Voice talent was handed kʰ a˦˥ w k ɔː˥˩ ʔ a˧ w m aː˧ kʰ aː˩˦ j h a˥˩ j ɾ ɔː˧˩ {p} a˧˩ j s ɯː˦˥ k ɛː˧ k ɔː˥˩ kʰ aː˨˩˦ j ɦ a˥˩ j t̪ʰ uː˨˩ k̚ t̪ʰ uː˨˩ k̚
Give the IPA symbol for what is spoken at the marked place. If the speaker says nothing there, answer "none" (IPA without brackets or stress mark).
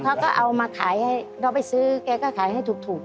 p